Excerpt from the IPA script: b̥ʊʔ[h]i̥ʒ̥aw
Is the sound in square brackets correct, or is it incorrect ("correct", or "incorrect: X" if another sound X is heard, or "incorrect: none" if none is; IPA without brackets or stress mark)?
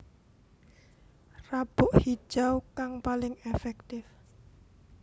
correct